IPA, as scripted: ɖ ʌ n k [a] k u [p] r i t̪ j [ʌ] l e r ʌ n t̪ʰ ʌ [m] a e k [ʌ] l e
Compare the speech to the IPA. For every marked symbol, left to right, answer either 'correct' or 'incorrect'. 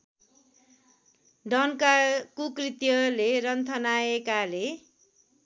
correct, incorrect: k, correct, incorrect: n, incorrect: a

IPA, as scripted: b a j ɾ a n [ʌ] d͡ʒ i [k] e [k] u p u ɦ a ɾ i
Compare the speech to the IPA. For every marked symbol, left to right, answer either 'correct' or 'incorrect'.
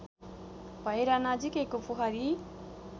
incorrect: a, correct, correct

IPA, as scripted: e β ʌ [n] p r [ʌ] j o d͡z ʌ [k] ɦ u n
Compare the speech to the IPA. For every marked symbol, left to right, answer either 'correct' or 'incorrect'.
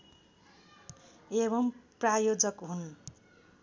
incorrect: m, incorrect: a, correct

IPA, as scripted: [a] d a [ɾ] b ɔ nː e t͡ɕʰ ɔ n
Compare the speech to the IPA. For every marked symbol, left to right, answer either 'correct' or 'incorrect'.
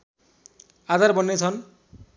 correct, correct

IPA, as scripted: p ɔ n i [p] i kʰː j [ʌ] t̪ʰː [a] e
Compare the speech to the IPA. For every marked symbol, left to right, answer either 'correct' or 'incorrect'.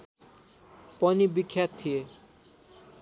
incorrect: b, incorrect: a, incorrect: i

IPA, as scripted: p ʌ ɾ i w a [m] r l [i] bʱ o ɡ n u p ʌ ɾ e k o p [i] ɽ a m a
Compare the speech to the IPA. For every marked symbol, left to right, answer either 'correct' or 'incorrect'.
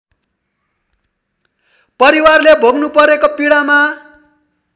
incorrect: none, incorrect: e, correct

